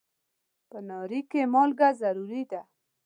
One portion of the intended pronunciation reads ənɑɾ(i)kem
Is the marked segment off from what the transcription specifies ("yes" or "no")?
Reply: no